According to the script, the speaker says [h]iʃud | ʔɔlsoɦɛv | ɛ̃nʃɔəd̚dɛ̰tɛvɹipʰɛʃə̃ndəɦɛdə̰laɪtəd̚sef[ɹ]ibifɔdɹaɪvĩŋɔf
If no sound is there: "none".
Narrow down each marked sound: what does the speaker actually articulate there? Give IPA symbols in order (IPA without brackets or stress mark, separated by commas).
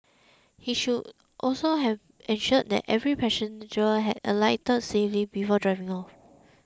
h, l